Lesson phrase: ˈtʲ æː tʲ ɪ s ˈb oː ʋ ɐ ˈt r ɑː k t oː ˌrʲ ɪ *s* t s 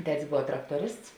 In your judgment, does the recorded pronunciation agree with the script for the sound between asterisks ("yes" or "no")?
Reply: yes